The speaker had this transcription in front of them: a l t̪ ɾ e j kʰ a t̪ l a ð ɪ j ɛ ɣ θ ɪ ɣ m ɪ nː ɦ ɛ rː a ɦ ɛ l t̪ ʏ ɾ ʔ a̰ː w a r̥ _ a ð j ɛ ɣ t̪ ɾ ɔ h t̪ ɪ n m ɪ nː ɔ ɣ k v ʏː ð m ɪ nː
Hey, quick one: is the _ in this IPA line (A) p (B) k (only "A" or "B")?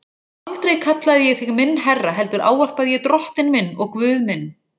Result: A